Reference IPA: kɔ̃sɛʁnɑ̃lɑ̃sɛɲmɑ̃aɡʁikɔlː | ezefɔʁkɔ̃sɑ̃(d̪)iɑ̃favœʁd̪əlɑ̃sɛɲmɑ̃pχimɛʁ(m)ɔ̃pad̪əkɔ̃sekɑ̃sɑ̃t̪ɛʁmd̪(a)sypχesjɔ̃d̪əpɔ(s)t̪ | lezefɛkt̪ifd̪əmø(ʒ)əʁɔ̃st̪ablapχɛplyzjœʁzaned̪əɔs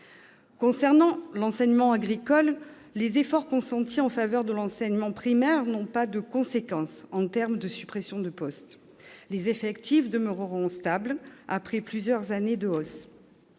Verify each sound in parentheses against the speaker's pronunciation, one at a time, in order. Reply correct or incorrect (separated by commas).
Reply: incorrect, incorrect, incorrect, correct, incorrect